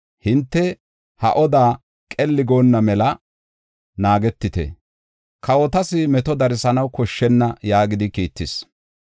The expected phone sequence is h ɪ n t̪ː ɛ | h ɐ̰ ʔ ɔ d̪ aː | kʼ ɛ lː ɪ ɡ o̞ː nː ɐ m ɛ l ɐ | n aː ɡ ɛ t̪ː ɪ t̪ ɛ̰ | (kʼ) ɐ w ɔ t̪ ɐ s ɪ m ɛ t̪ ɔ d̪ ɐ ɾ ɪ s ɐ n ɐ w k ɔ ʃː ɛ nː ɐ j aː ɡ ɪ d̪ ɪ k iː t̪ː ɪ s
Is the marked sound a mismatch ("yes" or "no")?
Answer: yes